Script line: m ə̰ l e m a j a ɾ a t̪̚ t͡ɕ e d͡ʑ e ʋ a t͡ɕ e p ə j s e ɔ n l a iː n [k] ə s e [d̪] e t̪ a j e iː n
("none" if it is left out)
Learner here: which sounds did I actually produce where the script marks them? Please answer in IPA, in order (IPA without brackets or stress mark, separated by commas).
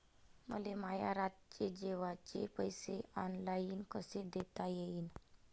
k, d̪